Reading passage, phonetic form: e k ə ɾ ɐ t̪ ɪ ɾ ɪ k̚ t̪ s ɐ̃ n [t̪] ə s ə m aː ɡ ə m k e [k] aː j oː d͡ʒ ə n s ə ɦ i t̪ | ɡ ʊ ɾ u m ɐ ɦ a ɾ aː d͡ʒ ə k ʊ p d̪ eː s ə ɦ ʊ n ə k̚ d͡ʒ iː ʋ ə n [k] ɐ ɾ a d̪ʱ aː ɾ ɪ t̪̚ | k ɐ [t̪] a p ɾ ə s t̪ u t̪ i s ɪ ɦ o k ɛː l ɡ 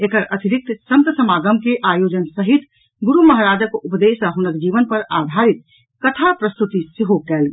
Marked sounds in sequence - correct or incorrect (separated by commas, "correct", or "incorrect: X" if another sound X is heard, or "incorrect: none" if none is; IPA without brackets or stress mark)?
correct, incorrect: ʔ, incorrect: p, incorrect: t̪ʰ